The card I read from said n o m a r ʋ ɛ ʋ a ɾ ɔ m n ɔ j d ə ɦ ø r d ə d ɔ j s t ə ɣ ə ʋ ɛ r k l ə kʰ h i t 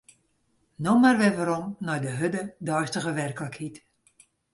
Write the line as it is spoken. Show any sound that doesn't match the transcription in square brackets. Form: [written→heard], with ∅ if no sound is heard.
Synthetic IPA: n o m a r ʋ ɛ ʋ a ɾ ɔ m n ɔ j d ə ɦ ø [r→∅] d ə d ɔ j s t ə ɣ ə ʋ ɛ r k l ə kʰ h i t